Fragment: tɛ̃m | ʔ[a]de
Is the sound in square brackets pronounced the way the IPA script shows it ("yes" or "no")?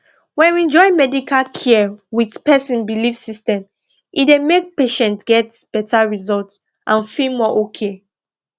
no